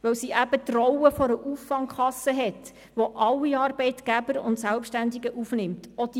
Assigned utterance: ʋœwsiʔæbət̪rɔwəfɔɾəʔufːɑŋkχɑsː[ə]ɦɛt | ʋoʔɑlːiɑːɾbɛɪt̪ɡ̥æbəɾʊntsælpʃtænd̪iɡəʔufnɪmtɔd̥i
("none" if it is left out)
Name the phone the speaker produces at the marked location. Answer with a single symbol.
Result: ə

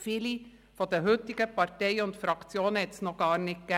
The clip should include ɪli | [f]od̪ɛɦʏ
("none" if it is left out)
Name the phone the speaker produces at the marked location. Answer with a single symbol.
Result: f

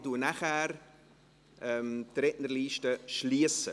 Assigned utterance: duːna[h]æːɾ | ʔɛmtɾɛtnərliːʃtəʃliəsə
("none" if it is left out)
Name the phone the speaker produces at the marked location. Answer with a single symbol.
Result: χ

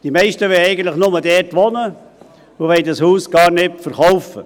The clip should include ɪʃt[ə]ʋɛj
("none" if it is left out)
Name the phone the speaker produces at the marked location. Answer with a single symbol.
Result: ə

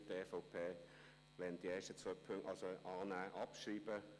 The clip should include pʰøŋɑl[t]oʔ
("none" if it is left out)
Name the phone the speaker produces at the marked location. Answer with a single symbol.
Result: s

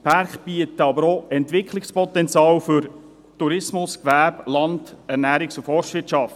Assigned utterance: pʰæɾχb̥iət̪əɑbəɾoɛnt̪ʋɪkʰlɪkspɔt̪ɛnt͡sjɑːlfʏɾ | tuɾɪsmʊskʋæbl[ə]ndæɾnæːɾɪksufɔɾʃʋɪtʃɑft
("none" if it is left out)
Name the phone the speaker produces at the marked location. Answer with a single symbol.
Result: ɑ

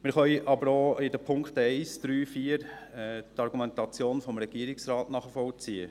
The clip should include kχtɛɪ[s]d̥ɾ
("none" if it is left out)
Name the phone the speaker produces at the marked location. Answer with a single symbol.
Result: s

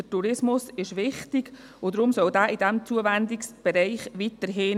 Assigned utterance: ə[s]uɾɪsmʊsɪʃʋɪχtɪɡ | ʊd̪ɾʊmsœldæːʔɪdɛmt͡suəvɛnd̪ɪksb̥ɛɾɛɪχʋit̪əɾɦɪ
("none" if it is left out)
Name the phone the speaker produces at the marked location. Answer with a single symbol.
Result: t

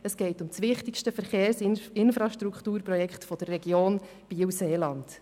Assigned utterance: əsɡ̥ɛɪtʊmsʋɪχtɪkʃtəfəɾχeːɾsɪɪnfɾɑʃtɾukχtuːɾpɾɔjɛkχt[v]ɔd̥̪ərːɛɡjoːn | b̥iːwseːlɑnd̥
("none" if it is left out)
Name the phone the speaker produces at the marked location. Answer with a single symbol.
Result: f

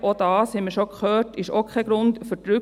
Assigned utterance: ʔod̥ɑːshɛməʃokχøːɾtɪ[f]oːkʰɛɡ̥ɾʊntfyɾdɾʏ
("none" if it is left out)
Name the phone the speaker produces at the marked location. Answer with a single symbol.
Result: ʃ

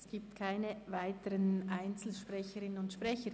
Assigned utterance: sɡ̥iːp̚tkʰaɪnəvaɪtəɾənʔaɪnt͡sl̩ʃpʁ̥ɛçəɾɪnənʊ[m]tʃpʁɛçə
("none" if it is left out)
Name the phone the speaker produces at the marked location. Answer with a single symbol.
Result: n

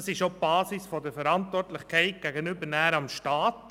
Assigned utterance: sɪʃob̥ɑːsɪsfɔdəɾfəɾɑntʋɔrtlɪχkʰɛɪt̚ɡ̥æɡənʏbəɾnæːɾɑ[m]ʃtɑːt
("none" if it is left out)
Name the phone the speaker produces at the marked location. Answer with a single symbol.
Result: m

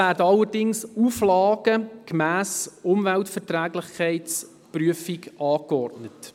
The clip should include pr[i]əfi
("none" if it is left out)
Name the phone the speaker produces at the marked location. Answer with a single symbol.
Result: y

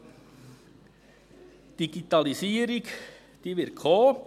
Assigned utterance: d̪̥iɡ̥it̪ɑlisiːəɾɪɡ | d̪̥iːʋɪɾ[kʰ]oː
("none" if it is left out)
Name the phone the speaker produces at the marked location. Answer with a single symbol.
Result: kʰ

